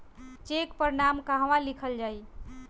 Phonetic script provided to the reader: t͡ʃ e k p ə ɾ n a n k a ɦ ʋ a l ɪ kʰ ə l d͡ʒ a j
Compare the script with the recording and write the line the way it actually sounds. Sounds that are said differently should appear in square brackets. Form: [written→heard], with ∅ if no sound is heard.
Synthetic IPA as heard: t͡ʃ e k p ə ɾ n a [n→m] k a ɦ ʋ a l [ɪ→i] kʰ ə l d͡ʒ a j